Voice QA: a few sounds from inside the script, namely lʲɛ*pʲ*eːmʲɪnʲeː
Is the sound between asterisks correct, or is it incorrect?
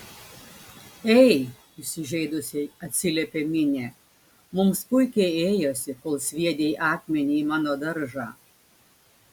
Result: correct